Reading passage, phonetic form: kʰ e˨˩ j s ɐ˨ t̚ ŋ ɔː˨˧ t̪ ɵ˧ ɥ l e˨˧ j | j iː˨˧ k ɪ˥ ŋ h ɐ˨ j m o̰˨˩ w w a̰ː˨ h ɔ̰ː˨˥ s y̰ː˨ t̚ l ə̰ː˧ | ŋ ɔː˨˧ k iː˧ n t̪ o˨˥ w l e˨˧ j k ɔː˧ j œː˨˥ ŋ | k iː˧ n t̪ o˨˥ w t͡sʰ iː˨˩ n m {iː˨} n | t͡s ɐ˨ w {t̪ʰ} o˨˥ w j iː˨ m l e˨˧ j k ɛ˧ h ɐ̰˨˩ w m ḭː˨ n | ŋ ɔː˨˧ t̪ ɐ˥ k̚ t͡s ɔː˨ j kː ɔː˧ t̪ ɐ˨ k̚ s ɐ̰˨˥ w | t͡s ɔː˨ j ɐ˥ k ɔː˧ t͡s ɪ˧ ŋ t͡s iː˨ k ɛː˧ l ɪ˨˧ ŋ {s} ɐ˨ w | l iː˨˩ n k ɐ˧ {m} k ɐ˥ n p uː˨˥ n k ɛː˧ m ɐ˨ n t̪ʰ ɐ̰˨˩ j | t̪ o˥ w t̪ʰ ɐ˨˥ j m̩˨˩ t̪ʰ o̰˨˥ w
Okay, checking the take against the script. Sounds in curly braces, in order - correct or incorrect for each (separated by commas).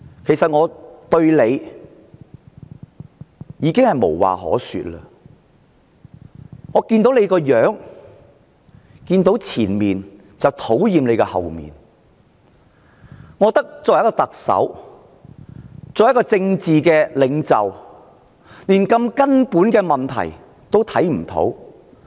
correct, correct, incorrect, correct